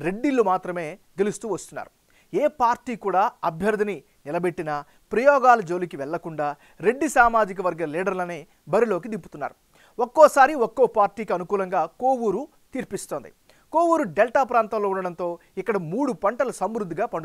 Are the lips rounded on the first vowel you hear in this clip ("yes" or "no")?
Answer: no